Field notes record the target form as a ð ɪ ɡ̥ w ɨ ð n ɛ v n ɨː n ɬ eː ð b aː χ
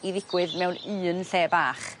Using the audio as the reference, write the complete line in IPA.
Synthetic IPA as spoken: i ð ɪ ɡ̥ w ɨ ð m ɛ w n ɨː n ɬ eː b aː χ